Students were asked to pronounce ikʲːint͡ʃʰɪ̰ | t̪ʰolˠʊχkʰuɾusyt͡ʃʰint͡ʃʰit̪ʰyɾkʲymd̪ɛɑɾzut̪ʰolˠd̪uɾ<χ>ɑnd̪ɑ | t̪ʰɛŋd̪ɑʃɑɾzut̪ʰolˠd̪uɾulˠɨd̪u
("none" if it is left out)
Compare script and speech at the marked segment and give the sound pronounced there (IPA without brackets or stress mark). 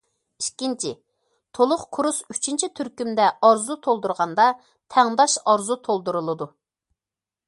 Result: ʁ